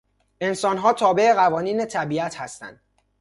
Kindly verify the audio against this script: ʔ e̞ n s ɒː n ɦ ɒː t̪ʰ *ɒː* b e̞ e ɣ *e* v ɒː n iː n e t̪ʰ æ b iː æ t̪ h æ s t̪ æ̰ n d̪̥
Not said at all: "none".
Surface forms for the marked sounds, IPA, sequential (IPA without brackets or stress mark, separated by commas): ɒː, æ